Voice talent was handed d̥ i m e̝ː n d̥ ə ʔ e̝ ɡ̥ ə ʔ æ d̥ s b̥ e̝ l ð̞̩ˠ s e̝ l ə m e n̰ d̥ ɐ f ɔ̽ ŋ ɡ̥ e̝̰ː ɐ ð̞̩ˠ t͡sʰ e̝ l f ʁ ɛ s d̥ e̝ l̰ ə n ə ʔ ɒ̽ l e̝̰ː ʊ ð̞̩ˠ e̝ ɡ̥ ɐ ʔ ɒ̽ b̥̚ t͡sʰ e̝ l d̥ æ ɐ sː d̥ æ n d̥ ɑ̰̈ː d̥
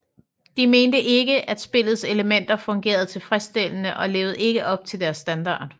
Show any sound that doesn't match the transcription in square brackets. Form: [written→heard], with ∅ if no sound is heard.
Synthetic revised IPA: d̥ i m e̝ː n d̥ ə ʔ e̝ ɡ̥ ə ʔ æ d̥ s b̥ e̝ l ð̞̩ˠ s e̝ l ə m e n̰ d̥ ɐ f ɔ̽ ŋ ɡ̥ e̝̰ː ɐ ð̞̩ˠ t͡sʰ e̝ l f ʁ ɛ s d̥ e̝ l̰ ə n ə ʔ ɒ̽ l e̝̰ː ʊ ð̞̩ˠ e̝ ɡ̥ [ɐ→ə] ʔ ɒ̽ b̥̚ t͡sʰ e̝ l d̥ æ ɐ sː d̥ æ n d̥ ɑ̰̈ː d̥